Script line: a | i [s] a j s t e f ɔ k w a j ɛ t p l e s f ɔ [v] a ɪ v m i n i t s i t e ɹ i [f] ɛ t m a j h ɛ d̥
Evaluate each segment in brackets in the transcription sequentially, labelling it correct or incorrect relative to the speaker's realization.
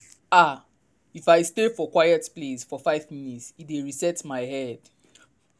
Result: incorrect: f, incorrect: f, incorrect: s

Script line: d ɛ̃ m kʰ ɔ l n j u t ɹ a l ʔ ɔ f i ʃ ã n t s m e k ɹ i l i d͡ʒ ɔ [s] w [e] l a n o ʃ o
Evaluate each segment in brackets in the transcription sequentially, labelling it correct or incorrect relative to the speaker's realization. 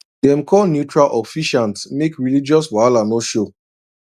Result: correct, incorrect: a

